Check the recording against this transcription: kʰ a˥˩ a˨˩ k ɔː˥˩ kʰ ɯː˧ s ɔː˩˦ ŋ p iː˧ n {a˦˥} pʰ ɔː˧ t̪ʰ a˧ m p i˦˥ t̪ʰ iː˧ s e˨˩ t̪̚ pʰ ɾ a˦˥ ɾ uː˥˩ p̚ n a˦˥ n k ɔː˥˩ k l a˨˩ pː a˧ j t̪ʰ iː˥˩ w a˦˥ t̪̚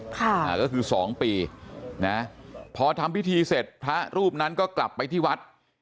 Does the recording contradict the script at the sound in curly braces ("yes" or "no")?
no